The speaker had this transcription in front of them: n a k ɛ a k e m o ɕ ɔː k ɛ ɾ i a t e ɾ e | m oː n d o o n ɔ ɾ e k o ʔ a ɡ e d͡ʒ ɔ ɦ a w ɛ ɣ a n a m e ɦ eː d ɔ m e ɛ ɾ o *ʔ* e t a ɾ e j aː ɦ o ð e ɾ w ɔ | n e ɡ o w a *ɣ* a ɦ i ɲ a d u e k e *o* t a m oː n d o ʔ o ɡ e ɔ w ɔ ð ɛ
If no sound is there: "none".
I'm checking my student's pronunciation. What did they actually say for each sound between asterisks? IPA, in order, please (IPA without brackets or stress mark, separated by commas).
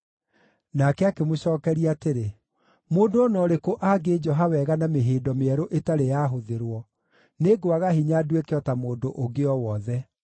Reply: ʔ, ɣ, ɔ